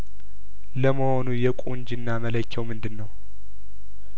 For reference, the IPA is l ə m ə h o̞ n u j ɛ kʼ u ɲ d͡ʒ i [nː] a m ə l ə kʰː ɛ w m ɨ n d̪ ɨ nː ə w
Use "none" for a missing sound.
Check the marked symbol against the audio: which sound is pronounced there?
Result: nː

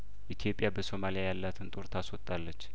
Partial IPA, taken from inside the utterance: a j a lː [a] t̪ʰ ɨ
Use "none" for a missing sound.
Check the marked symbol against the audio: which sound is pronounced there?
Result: a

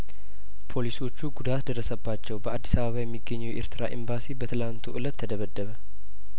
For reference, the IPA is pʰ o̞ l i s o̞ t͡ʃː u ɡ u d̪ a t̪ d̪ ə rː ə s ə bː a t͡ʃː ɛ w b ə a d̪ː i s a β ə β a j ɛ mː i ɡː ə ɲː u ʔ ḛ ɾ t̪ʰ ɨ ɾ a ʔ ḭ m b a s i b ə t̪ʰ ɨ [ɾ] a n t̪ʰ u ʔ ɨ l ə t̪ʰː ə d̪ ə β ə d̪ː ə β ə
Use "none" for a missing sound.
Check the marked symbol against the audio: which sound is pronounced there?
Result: l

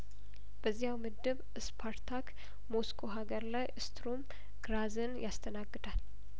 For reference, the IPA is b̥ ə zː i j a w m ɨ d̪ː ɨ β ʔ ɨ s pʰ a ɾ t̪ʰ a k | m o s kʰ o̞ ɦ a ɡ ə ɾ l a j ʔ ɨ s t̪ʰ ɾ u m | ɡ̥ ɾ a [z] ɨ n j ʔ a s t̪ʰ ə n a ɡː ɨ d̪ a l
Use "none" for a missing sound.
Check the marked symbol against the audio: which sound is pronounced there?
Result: z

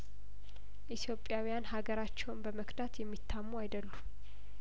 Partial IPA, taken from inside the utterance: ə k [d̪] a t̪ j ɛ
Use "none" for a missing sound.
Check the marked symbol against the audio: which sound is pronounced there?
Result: d̪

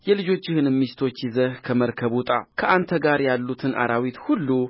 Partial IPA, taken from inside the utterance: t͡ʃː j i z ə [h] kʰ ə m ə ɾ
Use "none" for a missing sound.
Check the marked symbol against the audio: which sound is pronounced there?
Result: h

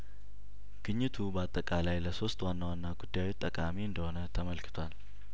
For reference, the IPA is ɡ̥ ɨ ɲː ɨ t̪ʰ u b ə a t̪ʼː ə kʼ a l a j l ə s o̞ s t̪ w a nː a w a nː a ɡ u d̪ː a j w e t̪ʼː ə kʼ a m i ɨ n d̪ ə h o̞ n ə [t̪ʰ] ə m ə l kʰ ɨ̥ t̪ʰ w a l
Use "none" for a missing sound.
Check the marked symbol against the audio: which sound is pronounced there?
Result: t̪ʰ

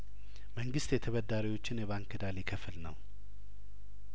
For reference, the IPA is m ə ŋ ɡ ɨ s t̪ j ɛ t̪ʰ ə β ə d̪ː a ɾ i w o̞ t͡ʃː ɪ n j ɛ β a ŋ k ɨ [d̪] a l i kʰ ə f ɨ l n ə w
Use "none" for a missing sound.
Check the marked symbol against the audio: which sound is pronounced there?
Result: d̪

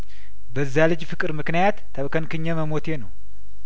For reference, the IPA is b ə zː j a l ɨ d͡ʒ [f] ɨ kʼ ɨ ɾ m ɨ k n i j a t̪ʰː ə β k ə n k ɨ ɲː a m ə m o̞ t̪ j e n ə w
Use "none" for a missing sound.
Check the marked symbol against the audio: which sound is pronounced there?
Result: f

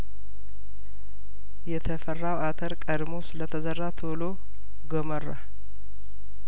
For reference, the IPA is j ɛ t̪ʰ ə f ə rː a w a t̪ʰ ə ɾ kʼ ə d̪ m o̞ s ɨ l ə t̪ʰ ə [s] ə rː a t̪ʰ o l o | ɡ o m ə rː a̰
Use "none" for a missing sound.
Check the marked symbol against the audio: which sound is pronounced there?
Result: z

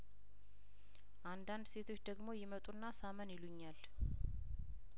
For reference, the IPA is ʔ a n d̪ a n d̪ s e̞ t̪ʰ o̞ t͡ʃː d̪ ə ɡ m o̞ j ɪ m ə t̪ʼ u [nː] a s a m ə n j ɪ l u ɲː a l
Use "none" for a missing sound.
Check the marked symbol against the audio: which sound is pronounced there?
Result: nː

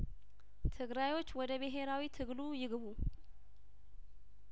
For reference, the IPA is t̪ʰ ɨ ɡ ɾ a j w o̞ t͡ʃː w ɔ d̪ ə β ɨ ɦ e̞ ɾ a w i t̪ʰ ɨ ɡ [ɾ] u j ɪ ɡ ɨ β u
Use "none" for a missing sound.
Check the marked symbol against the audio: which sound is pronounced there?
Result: l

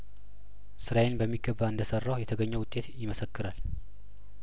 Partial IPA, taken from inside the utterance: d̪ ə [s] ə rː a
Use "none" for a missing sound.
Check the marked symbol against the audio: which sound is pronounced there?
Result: s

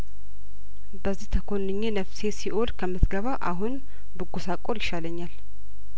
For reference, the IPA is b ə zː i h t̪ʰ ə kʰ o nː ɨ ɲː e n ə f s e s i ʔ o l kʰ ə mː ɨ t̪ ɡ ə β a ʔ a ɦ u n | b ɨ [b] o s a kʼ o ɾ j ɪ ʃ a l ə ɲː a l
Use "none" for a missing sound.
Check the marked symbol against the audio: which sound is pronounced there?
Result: ɡ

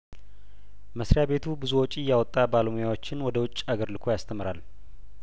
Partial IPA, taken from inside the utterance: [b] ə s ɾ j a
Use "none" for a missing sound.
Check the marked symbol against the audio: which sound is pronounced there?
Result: m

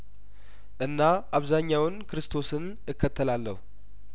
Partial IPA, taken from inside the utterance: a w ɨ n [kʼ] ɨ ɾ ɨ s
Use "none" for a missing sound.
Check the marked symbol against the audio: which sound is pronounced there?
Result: k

